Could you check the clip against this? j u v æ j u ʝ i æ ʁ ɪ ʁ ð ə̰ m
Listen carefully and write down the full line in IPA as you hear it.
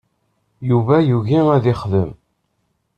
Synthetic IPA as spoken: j u v æ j u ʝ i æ ð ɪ χ ð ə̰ m